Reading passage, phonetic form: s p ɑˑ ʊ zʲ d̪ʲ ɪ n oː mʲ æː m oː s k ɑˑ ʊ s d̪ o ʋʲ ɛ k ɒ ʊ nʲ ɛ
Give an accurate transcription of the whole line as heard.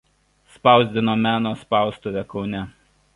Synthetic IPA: s p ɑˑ ʊ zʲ d̪ʲ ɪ n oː mʲ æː n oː s p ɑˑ ʊ s t̪ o ʋʲ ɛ k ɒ ʊ nʲ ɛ

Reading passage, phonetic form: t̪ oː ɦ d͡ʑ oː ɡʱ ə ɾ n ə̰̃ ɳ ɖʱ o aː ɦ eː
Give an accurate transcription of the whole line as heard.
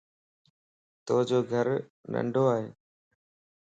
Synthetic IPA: t̪ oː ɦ d͡ʑ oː ɡʱ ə ɾ n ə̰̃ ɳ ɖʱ o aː ɦ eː

